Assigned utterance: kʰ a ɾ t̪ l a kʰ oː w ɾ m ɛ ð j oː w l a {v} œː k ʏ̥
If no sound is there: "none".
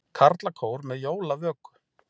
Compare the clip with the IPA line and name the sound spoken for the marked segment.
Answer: v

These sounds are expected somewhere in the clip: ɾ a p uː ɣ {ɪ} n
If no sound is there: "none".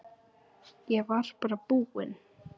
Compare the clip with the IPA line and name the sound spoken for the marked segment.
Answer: ɪ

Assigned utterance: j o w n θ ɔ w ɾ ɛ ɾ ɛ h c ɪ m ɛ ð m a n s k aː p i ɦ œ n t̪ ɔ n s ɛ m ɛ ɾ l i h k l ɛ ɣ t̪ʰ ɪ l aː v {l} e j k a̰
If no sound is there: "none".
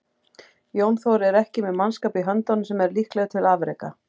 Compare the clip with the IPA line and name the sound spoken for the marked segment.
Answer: ɾ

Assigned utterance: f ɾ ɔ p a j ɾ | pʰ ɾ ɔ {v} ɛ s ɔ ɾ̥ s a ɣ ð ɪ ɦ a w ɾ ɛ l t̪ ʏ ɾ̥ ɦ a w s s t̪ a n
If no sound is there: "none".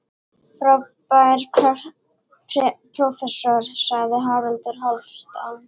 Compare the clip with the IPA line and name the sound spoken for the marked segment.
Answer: f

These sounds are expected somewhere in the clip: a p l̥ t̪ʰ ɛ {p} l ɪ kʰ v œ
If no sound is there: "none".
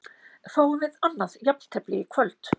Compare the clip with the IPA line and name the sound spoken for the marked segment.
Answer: p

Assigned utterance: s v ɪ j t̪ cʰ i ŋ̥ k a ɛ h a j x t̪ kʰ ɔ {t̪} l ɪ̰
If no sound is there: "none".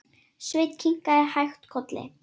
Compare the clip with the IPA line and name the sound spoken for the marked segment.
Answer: t̪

